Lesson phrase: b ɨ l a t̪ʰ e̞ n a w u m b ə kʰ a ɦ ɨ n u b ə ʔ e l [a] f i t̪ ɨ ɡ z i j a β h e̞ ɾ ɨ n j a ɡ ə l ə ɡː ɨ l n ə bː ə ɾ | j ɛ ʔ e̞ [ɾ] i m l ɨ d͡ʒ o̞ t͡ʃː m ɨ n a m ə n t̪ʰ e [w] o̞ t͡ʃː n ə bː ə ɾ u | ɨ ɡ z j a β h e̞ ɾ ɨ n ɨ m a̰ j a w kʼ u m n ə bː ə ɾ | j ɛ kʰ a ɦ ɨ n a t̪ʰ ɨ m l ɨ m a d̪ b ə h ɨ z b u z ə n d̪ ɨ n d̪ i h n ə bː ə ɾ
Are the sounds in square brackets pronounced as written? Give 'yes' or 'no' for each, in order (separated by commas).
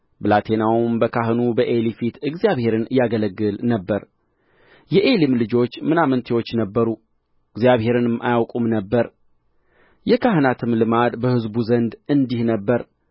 no, no, yes